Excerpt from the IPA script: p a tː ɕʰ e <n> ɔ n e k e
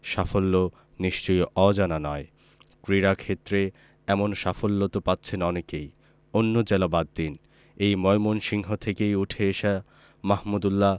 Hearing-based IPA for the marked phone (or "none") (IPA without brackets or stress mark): n